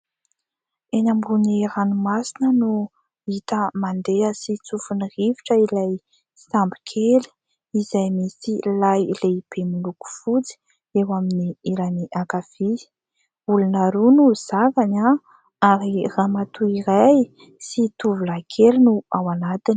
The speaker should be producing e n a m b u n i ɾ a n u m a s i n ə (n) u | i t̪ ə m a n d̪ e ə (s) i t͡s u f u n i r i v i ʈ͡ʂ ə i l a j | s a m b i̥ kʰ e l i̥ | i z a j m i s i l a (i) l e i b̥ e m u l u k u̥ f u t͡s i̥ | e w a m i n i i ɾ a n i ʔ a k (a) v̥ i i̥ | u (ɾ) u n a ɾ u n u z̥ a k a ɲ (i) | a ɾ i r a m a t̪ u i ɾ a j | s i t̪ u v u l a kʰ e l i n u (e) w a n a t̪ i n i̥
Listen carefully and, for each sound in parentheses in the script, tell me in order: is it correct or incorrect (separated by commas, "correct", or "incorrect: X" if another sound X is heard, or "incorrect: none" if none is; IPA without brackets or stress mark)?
correct, correct, incorrect: j, correct, incorrect: l, incorrect: a, incorrect: a